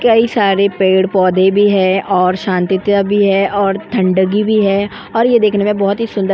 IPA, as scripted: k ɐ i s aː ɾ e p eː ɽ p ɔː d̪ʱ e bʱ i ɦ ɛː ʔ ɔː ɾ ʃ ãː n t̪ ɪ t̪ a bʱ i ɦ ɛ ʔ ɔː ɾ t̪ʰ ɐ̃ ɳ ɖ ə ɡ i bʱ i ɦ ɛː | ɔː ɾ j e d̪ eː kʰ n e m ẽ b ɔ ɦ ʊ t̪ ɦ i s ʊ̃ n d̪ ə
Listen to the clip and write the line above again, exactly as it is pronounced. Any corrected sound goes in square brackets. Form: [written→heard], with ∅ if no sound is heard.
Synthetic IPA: k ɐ i s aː ɾ e p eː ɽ p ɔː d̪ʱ e bʱ i ɦ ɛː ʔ ɔː ɾ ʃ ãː n t̪ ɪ t̪ a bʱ i ɦ ɛ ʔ ɔː ɾ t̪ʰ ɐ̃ ɳ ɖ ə ɡ i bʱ i ɦ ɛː | ɔː ɾ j e d̪ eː kʰ n e m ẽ b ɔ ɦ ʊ t̪ ɦ i s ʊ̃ n d̪ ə